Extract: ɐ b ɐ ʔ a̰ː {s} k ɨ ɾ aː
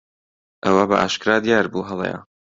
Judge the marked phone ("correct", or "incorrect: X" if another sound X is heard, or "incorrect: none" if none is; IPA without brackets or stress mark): incorrect: ʃ